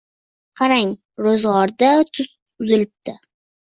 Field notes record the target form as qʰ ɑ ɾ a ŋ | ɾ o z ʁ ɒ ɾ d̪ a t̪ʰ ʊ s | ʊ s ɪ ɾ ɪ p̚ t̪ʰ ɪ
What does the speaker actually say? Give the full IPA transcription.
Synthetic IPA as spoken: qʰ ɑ ɾ a ŋ | ɾ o z ʁ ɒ ɾ d̪ a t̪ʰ ʊ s | ʊ z ɪ l ɪ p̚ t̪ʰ ɪ